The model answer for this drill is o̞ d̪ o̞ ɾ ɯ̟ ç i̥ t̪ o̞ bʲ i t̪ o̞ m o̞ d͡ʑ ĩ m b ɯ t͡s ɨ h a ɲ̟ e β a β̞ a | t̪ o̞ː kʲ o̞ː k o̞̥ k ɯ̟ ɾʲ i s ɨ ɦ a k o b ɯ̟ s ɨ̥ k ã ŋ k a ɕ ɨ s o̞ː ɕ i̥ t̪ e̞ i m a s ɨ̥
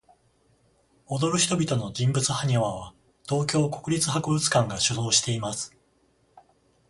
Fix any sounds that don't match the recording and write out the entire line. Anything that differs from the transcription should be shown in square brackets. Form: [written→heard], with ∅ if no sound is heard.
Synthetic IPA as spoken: o̞ d̪ o̞ ɾ ɯ̟ ç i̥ t̪ o̞ bʲ i t̪ o̞ [m→n] o̞ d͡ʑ ĩ m b ɯ t͡s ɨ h a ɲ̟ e β a β̞ a | t̪ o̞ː kʲ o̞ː k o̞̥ k ɯ̟ ɾʲ i [s→t͡s] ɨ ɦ a k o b ɯ̟ [s→t͡s] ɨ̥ k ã ŋ [k→ɡ] a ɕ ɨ [s→z] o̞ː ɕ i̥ t̪ e̞ i m a s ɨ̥